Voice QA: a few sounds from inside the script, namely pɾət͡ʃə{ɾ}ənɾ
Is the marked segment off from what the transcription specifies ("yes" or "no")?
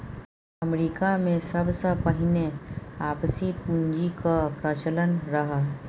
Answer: yes